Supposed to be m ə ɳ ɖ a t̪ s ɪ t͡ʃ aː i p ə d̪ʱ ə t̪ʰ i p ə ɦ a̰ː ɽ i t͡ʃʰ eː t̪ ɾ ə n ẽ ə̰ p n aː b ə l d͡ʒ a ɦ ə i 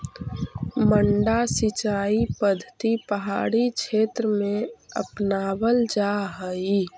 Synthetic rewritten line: m ə ɳ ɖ a s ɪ t͡ʃ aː i p ə d̪ʱ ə t̪ i p ə ɦ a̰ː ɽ i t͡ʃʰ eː t̪ ɾ ə m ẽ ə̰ p n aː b ə l d͡ʒ a ɦ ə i